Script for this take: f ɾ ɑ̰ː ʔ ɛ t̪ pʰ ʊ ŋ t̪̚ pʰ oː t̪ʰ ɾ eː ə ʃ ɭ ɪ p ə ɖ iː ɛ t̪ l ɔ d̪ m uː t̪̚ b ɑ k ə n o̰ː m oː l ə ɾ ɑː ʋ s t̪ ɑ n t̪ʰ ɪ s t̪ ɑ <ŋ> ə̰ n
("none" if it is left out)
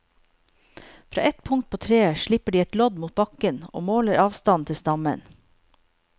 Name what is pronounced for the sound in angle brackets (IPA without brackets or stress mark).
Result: m